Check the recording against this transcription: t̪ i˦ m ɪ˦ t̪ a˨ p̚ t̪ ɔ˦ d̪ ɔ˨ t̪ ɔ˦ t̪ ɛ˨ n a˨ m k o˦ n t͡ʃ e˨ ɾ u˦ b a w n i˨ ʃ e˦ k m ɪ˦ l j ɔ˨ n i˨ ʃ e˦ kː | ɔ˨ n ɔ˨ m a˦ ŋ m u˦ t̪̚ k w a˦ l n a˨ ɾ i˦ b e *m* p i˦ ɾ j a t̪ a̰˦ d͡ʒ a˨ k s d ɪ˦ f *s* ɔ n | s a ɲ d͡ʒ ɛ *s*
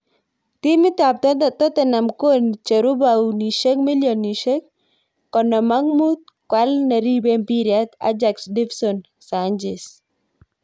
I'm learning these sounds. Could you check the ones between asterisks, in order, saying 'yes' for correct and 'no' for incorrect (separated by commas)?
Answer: yes, yes, yes